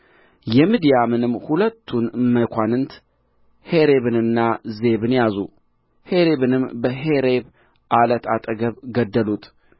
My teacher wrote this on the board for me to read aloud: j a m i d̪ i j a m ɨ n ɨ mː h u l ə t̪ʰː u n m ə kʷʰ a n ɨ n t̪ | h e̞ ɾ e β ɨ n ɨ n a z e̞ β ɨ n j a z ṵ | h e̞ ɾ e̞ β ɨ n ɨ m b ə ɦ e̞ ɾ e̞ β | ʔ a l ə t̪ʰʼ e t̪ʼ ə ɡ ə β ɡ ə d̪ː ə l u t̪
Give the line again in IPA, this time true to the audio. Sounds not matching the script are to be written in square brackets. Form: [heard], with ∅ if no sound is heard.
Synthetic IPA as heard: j [ɛ] m i d̪ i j a m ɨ n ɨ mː h u l ə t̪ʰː u n m ə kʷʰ a n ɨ n t̪ | h e̞ ɾ e β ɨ n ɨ [nː] a z e̞ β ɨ n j a z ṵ | h e̞ ɾ e̞ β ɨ n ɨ m b ə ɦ e̞ ɾ e̞ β | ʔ a l ə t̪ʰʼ [a] t̪ʼ ə ɡ ə β ɡ ə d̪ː ə l u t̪

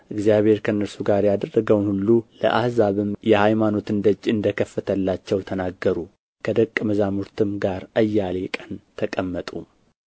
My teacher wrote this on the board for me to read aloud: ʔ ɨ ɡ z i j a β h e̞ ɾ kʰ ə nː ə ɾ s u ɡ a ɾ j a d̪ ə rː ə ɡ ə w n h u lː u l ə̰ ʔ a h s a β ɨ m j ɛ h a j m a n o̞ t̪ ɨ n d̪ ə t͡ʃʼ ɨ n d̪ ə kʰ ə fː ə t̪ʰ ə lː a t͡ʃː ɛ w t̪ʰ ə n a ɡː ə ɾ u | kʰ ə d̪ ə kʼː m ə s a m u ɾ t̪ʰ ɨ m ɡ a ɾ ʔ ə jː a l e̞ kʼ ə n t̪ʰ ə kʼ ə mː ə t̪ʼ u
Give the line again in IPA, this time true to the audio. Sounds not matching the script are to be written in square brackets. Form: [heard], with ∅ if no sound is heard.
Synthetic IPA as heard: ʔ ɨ ɡ z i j a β h e̞ ɾ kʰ ə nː ə ɾ s u ɡ a ɾ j a d̪ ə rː ə ɡ ə w n h u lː u l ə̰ ʔ a h [z] a β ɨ m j ɛ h a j m a n o̞ t̪ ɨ n d̪ ə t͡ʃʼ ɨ n d̪ ə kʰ ə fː ə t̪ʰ ə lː a t͡ʃː ɛ w t̪ʰ ə n a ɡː ə ɾ u | kʰ ə d̪ ə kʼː m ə [z] a m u ɾ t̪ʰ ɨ m ɡ a ɾ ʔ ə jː a l e̞ kʼ ə n t̪ʰ ə kʼ ə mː ə t̪ʼ u

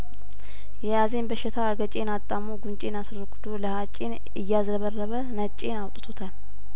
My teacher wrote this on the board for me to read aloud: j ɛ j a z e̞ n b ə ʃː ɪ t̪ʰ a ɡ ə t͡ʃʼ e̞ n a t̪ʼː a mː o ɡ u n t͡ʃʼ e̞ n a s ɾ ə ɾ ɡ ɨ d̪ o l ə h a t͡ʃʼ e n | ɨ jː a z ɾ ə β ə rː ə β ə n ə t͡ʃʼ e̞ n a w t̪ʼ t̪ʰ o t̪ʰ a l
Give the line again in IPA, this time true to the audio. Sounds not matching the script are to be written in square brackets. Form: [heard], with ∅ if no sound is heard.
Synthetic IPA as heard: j ɛ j a z e̞ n b ə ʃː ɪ t̪ʰ a ɡ ə t͡ʃʼ e̞ n a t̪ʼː a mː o ɡ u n t͡ʃʼ e̞ n a s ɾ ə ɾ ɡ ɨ d̪ o l ə h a t͡ʃʼ e n | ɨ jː a z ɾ ə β ə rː ə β ə n ə t͡ʃʼ e̞ n a w t̪ʼ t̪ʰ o t̪ʰ a l

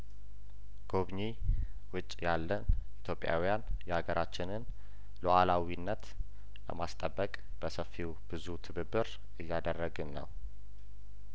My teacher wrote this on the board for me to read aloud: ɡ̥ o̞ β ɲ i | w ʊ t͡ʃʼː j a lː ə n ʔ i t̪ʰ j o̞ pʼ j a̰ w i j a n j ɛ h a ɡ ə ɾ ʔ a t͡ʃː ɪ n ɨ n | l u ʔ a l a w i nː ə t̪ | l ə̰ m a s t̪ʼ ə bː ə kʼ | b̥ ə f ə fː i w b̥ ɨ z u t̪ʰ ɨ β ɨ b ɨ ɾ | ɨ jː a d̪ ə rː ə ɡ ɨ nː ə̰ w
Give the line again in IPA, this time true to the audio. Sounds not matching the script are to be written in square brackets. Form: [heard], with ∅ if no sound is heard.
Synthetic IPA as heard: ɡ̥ o̞ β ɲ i | w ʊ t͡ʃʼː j a lː ə n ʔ i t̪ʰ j o̞ pʼ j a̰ w i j a n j ɛ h a ɡ ə ɾ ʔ a t͡ʃː ɪ n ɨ n | l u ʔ a l a w i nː ə t̪ | l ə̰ m a s t̪ʼ ə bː ə kʼ | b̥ ə [s] ə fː i w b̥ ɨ z u t̪ʰ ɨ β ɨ b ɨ ɾ | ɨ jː a d̪ ə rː ə ɡ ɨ nː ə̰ w

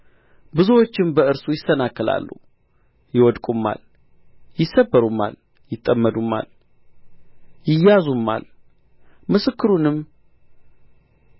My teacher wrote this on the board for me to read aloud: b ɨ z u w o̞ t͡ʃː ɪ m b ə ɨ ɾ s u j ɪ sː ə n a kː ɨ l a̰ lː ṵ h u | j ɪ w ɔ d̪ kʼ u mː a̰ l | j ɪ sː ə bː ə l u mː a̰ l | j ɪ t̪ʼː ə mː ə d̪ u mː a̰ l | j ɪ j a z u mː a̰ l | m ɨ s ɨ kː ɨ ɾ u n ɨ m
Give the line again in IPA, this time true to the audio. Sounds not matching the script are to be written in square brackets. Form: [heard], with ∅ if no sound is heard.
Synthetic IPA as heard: b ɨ z u w o̞ t͡ʃː ɪ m b ə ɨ ɾ s u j ɪ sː ə n a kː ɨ l a̰ lː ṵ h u | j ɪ w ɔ d̪ kʼ u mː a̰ l | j ɪ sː ə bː ə [ɾ] u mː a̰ l | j ɪ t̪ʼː ə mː ə d̪ u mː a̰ l | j ɪ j a z u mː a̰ l | m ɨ s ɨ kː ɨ ɾ u n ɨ m

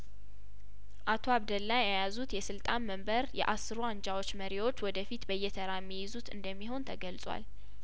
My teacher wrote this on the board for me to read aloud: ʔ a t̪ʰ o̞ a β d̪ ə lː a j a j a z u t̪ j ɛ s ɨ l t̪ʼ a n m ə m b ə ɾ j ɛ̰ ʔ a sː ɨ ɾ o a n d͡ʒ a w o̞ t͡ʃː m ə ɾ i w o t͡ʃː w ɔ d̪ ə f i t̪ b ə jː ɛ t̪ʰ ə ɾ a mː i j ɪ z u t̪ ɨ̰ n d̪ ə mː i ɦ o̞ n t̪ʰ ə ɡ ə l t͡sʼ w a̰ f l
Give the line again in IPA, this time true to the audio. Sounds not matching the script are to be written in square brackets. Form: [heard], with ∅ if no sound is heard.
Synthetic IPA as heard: ʔ a t̪ʰ o̞ a β d̪ ə lː a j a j a z u t̪ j ɛ s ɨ l t̪ʼ a n m ə m b ə ɾ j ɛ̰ ʔ a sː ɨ ɾ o a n d͡ʒ a w o̞ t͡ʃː m ə ɾ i w o t͡ʃː w ɔ d̪ ə f i t̪ b ə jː ɛ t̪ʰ ə ɾ a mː i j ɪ z u t̪ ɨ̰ n d̪ ə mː i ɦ o̞ n t̪ʰ ə ɡ ə l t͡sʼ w a̰ [∅] l

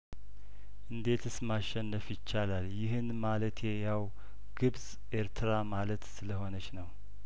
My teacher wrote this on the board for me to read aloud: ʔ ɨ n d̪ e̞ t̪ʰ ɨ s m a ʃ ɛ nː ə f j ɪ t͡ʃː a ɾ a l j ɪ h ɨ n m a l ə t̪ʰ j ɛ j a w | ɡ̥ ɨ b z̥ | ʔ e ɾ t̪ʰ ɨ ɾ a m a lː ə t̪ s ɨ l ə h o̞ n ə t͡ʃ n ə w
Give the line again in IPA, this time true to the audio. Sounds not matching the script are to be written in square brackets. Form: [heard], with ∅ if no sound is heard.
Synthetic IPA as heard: ʔ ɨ n d̪ e̞ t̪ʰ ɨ s m a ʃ ɛ nː ə f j ɪ t͡ʃː a [l] a l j ɪ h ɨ n m a l ə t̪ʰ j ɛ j a w | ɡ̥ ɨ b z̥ | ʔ e ɾ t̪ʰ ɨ ɾ a m a [l] ə t̪ s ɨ l ə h o̞ n ə t͡ʃ n ə w

